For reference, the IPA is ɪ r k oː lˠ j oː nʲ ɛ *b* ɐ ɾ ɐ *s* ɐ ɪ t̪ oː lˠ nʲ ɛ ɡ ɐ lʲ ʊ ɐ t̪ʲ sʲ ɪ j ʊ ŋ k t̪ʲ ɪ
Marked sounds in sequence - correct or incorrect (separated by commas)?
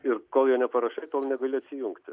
incorrect, incorrect